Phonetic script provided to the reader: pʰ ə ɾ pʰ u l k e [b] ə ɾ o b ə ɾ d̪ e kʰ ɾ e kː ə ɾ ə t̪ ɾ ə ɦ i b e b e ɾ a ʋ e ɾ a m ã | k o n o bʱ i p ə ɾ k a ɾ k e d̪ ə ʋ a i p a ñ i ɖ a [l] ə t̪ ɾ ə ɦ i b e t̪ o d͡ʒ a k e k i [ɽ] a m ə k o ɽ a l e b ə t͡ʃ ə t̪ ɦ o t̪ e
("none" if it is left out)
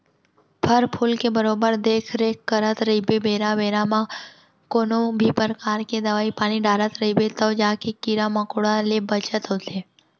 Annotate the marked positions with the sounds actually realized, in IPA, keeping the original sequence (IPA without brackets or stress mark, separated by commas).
b, ɾ, ɾ